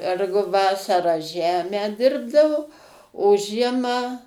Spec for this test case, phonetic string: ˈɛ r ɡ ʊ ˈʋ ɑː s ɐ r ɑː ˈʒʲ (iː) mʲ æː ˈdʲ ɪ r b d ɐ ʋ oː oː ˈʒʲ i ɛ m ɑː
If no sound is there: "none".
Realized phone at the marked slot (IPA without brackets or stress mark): æː